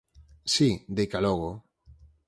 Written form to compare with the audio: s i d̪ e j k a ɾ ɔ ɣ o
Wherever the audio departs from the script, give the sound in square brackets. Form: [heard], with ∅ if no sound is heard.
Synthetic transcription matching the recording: s i d̪ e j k a [l] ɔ ɣ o